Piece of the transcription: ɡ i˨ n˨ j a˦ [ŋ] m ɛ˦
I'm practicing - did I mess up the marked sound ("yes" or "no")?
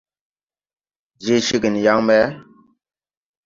no